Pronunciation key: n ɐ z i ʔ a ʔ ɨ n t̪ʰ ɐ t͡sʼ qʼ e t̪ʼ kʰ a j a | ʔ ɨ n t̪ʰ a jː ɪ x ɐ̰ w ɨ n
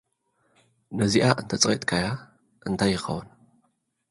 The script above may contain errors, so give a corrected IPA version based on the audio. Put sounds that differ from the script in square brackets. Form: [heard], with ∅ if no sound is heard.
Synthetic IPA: n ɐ z i ʔ a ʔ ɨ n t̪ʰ ɐ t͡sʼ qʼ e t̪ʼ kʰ a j a | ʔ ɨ n t̪ʰ a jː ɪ x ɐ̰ w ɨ n